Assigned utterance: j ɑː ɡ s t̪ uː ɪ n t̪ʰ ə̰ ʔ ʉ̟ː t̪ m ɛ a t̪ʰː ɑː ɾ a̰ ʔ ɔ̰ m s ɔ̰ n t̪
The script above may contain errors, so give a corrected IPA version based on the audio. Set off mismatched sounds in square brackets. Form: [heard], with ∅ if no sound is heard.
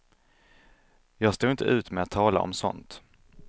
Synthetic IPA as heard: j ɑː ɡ s t̪ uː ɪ n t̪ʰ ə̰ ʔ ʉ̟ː t̪ m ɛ a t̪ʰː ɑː [l] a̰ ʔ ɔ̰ m s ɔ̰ n t̪